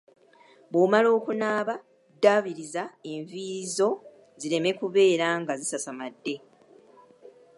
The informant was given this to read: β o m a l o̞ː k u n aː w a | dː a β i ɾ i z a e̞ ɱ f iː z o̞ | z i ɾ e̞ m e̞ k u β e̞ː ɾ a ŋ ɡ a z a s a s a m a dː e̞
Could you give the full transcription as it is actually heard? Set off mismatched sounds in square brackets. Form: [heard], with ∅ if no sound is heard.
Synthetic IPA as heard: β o m a l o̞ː k u n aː [β] a | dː a β i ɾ i z a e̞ ɱ [v] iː z o̞ | z i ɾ e̞ m e̞ k u β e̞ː ɾ a ŋ ɡ a z [i] s a s a m a dː e̞